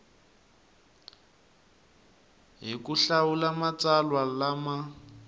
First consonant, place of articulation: glottal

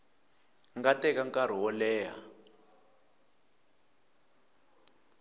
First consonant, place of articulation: velar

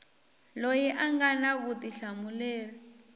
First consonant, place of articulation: alveolar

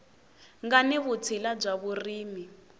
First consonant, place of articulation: velar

